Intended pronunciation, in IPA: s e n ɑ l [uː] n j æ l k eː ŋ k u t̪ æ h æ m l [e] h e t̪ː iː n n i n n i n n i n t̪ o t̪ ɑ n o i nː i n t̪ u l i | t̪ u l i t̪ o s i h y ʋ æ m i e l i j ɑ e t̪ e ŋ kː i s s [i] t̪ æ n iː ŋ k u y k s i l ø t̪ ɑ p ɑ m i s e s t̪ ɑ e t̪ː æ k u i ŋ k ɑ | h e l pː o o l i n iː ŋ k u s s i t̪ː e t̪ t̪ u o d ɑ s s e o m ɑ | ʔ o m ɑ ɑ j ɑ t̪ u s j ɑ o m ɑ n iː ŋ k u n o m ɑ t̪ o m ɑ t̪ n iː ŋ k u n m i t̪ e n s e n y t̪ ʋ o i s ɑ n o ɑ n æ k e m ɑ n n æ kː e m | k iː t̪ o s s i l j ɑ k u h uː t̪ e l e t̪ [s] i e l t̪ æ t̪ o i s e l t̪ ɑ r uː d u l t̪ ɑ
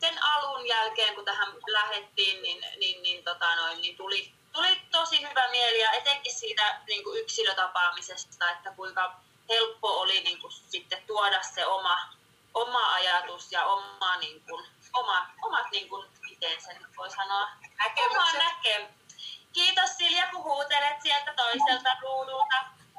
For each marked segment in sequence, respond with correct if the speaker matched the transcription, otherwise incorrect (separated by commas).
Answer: incorrect, incorrect, incorrect, correct